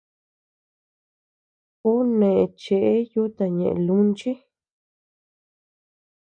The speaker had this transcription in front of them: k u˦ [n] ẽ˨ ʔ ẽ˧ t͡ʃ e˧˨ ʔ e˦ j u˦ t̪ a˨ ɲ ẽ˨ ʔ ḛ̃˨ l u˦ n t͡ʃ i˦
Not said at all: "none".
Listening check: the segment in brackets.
n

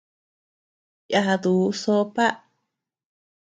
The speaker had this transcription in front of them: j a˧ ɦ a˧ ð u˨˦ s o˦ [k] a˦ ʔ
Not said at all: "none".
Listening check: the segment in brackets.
p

